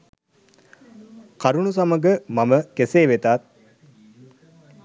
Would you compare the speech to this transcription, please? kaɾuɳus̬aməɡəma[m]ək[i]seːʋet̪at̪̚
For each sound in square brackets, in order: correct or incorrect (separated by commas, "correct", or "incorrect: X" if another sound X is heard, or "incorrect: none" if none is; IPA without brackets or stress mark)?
correct, incorrect: e